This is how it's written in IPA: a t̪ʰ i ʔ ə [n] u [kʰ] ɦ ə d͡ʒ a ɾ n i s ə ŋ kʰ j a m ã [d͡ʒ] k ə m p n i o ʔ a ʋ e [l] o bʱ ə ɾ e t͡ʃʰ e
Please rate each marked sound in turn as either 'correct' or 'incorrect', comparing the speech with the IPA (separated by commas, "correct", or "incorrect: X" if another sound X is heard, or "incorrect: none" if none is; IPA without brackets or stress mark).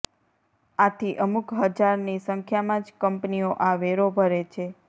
incorrect: m, incorrect: k, correct, incorrect: ɾ